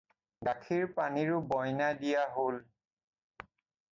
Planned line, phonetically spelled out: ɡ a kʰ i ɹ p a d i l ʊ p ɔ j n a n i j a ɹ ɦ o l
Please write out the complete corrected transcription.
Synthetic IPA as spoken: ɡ a kʰ i ɹ p a n i ɹ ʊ b ɔ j n a d i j a ɦ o l